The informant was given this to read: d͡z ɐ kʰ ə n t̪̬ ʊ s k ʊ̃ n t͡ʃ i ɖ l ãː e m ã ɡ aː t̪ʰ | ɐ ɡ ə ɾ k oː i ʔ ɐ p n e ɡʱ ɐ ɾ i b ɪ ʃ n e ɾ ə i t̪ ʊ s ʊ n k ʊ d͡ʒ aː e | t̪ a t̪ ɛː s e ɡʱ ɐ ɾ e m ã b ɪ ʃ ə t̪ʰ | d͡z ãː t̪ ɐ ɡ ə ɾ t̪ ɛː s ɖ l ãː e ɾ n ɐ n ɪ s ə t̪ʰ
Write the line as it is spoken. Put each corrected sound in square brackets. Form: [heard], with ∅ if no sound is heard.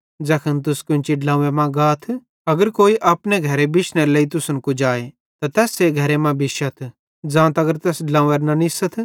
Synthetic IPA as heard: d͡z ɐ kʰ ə n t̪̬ ʊ s k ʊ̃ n t͡ʃ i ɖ l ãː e m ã ɡ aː t̪ʰ | ɐ ɡ ə ɾ k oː i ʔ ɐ p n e ɡʱ ɐ ɾ [e] b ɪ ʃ n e [l] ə i t̪ ʊ s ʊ n k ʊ d͡ʒ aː e | t̪ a t̪ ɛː s e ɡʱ ɐ ɾ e m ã b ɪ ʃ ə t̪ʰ | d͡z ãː t̪ ɐ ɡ ə ɾ t̪ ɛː s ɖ l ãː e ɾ n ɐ n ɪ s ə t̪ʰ